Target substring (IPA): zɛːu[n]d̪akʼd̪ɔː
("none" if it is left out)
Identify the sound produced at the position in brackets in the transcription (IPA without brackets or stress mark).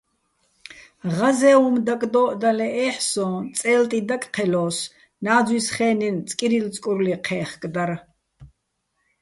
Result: m